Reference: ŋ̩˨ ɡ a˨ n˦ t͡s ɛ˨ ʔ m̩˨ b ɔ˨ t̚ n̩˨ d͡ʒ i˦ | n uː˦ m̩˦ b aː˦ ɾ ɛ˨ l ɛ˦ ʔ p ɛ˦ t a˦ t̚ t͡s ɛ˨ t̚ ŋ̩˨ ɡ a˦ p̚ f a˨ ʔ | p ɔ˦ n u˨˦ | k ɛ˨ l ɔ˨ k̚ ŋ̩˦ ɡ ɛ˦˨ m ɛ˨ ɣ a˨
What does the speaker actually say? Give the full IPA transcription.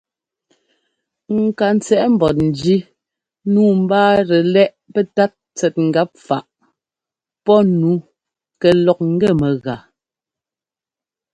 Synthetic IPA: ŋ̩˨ k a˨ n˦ t͡s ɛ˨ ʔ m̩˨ b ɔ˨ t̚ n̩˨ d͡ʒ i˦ | n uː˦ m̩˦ b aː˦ ɾ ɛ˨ l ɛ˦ ʔ p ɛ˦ t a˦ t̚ t͡s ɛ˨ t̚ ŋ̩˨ ɡ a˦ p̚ f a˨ ʔ | p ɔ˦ n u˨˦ | k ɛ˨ l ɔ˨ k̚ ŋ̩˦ ɡ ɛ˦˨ m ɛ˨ ɣ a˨